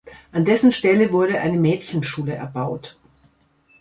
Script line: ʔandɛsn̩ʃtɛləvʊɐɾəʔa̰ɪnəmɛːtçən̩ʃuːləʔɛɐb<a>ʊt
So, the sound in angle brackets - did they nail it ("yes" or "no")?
yes